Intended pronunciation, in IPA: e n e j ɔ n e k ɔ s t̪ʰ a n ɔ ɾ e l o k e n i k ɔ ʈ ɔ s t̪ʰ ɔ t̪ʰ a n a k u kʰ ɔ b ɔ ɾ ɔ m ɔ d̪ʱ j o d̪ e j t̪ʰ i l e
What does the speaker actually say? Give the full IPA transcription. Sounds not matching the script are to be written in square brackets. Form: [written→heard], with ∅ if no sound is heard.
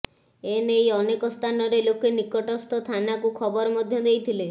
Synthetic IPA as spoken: e n e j ɔ n e k ɔ s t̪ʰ a n ɔ ɾ e l o k e n i k ɔ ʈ ɔ s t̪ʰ ɔ t̪ʰ a n a k u kʰ ɔ b ɔ ɾ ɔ m ɔ d̪ʱ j [o→ɔ] d̪ e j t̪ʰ i l e